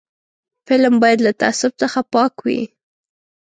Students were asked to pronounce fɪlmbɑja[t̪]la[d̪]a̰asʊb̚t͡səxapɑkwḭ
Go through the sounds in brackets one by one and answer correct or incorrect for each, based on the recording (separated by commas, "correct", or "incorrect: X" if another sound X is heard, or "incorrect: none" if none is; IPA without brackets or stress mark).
incorrect: d̪, incorrect: t̪